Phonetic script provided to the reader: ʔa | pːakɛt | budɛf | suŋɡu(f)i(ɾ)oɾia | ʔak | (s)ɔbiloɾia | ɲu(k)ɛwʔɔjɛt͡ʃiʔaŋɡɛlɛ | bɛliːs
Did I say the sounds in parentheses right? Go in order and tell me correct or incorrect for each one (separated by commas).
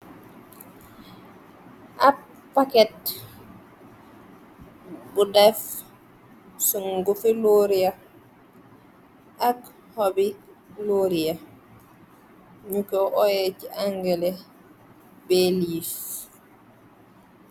correct, incorrect, incorrect, correct